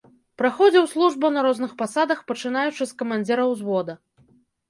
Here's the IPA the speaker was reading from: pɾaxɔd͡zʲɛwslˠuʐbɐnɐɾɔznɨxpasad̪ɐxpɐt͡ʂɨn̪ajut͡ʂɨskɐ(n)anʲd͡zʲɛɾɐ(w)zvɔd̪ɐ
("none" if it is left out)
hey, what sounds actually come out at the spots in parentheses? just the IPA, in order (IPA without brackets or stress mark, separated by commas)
m, w